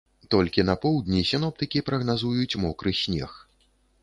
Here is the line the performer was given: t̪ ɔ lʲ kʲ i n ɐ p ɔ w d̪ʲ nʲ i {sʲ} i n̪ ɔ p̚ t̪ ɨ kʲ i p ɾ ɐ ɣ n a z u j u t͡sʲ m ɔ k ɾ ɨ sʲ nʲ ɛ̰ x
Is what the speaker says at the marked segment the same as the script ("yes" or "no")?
yes